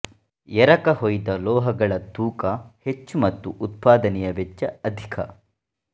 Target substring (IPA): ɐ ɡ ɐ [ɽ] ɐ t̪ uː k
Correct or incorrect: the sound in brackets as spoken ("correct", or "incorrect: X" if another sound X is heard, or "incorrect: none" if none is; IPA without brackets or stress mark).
incorrect: ɭ